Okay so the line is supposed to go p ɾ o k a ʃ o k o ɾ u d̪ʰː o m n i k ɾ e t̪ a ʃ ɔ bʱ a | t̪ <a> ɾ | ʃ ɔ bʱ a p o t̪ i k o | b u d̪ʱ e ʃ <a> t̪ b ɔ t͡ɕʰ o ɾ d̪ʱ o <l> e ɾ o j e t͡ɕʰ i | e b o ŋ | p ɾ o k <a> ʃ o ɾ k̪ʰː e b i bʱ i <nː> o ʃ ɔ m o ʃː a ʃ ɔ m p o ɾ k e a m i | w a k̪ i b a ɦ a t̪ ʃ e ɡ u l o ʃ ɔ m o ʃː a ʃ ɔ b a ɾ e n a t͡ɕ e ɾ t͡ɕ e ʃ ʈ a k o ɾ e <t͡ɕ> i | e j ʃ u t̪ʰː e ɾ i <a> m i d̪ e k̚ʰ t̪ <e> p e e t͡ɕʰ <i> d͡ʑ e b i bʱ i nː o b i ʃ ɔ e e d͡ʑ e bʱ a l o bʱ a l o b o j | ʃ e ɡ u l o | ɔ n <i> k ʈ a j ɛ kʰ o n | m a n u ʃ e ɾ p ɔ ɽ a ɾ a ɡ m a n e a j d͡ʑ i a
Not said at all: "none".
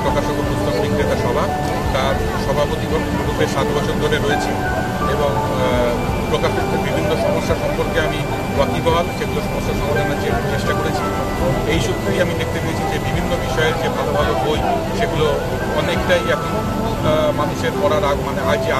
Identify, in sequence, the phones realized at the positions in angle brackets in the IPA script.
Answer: a, a, ɾ, a, nː, t͡ɕʰ, a, e, i, e

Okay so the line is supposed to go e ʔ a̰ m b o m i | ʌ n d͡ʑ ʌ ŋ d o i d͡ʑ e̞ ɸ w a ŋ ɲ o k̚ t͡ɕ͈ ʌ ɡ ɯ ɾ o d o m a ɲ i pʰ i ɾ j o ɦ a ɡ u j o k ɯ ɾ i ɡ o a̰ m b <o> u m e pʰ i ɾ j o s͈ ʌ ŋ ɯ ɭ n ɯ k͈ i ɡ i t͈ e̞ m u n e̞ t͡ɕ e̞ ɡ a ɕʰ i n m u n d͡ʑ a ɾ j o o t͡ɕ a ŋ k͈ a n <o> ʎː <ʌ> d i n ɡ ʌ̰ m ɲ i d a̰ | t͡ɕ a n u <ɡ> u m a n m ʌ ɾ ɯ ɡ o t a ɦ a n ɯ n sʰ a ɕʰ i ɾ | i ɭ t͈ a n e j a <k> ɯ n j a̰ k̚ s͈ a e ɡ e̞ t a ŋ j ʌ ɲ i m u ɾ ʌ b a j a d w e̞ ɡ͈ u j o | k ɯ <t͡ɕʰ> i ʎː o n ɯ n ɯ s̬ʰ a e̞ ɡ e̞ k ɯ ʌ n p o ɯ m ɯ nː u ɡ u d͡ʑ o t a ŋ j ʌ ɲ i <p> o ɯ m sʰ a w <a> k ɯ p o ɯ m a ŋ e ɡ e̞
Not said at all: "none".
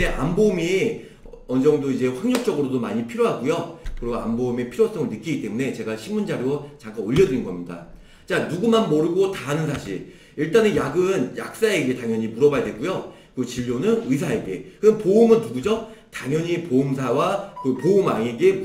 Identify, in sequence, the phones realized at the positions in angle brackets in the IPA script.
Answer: o, o, ʌ, ɡ, ɡ, t͡ɕ, p, a

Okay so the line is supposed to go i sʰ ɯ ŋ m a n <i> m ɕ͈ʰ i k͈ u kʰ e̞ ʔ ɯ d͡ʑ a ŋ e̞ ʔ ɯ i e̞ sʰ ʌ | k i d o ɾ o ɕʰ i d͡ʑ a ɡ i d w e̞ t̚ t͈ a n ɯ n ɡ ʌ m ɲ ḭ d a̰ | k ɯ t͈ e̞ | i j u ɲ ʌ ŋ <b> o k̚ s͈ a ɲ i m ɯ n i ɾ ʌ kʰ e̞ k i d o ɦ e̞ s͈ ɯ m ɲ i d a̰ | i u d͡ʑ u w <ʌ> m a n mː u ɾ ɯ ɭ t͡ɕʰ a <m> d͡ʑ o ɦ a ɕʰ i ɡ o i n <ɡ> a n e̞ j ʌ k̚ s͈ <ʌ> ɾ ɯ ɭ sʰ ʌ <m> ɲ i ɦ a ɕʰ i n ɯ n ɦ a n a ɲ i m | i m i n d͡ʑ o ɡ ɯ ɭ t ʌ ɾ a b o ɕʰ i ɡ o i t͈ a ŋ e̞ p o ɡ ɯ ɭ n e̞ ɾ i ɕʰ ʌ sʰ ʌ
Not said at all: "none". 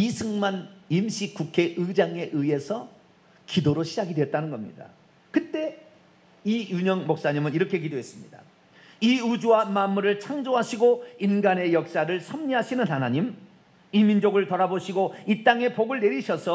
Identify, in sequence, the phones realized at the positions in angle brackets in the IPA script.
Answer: i, m, a, ŋ, ɡ, a, m

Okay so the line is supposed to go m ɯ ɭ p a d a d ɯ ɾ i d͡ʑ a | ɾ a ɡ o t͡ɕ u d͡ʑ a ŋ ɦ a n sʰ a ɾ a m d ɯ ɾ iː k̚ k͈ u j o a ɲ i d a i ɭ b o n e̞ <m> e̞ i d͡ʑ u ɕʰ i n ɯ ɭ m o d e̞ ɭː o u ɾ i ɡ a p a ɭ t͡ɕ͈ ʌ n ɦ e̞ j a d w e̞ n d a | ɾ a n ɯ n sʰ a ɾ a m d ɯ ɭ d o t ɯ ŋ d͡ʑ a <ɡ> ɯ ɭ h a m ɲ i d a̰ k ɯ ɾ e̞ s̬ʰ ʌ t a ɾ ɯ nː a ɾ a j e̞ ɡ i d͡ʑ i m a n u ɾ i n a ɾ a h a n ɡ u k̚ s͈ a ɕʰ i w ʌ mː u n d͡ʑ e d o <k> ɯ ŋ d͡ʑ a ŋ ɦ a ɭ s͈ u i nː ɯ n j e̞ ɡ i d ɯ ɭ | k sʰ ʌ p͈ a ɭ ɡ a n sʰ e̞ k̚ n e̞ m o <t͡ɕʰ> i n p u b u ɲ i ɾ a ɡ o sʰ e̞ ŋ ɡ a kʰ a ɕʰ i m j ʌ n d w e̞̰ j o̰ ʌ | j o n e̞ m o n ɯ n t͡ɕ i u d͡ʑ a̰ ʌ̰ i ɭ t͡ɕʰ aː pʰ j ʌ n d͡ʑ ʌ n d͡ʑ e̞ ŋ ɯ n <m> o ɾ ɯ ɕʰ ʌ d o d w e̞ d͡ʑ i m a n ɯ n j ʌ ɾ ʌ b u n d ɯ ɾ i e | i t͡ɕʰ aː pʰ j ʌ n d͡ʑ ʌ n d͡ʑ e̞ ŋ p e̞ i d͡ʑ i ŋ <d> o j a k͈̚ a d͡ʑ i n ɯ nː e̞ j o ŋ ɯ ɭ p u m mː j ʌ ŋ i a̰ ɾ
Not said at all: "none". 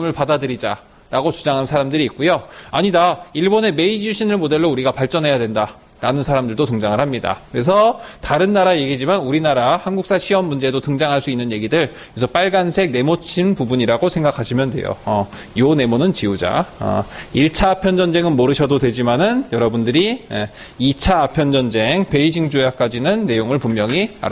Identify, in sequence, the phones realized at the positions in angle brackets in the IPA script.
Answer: m, ŋ, t, t͡ɕʰ, m, d͡ʑ

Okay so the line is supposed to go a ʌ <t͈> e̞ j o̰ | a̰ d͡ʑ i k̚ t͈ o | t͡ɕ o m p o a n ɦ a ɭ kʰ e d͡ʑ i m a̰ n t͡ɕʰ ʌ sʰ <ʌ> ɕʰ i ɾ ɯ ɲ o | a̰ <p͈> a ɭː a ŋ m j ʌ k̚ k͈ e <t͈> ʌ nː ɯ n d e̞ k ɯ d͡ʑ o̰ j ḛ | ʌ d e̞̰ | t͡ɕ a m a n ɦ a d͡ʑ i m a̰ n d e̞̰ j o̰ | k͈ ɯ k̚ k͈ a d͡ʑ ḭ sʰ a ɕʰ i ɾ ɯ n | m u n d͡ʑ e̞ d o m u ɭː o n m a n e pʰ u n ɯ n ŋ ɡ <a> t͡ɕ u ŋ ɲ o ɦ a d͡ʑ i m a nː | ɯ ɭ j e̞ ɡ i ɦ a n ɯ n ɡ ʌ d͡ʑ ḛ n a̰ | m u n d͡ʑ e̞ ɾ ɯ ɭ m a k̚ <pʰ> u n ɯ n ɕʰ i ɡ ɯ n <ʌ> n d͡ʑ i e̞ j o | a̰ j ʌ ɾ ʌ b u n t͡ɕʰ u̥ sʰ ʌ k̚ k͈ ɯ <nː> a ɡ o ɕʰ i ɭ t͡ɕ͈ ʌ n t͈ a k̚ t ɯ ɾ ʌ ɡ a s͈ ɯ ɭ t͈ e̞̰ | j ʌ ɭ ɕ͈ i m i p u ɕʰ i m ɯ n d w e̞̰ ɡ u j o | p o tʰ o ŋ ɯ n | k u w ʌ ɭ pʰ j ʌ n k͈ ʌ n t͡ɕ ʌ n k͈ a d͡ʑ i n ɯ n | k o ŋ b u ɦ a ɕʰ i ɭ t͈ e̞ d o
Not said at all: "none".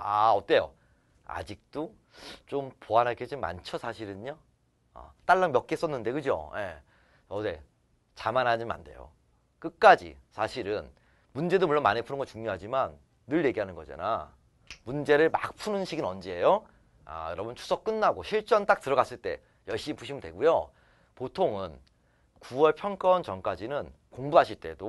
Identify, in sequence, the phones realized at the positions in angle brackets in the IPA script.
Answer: t͈, a, t͈, s͈, ʌ, pʰ, ʌ, nː

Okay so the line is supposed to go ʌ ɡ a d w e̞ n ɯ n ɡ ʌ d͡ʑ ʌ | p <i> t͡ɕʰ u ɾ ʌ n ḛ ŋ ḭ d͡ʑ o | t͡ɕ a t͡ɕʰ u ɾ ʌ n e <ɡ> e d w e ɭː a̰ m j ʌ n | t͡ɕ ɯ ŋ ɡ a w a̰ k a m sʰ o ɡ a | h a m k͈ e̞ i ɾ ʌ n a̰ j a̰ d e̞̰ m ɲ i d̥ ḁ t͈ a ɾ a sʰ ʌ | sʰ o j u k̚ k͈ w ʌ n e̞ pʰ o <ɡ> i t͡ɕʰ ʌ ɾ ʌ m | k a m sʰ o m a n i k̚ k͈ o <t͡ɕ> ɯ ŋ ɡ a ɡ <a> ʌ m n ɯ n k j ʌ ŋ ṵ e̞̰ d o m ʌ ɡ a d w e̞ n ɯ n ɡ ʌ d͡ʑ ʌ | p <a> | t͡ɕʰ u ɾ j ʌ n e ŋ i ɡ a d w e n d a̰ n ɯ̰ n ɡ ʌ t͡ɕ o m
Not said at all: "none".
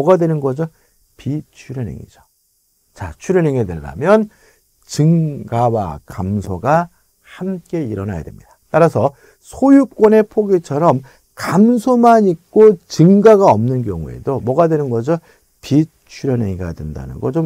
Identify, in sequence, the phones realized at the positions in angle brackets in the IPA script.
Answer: i, ŋ, ɡ, t͡ɕ, a, i

